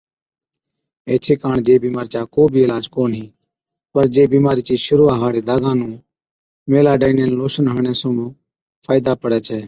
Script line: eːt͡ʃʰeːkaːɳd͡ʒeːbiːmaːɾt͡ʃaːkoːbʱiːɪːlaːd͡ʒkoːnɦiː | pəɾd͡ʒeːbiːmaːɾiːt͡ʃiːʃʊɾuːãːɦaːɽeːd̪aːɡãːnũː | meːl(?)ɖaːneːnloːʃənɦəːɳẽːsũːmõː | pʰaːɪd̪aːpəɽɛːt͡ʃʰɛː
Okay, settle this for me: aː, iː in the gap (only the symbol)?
aː